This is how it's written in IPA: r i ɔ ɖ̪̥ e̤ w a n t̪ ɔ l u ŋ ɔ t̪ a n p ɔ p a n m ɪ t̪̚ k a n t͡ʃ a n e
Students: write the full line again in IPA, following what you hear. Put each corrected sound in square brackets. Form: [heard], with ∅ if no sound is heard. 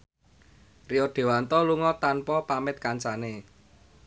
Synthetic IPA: r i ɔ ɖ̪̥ e̤ w a n t̪ ɔ l u ŋ ɔ t̪ a n p ɔ p a [∅] m ɪ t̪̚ k a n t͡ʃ a n e